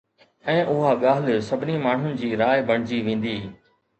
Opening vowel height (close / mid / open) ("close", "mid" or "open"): mid